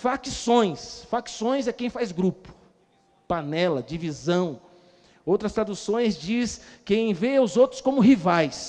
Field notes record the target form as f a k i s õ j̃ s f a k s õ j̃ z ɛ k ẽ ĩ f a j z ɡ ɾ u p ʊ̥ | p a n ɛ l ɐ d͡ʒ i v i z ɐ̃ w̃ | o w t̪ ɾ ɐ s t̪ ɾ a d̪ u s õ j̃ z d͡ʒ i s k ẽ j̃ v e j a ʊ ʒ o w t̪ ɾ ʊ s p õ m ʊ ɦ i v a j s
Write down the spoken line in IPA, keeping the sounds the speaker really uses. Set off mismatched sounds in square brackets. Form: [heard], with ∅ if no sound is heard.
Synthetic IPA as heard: f a k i s õ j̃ s f a k s õ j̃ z ɛ k ẽ [j̃] f a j z ɡ ɾ u p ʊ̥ | p a n ɛ l ɐ d͡ʒ i v i z ɐ̃ w̃ | o w t̪ ɾ ɐ s t̪ ɾ a d̪ u s õ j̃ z d͡ʒ i s k ẽ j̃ v e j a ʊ [z] o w t̪ ɾ ʊ s [k] õ m ʊ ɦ i v a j s